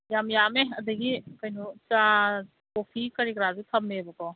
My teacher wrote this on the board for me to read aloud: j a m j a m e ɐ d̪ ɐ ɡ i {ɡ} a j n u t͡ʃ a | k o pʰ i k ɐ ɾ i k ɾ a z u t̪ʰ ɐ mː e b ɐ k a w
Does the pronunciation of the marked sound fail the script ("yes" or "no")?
yes